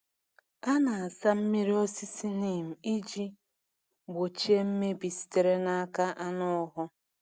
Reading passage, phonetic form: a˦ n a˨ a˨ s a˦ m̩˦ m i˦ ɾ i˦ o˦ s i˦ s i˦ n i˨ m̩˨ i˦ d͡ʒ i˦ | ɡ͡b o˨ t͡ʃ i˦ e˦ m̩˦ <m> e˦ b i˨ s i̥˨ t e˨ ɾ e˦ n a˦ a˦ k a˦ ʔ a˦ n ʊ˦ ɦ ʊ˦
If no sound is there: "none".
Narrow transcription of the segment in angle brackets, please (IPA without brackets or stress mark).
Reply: m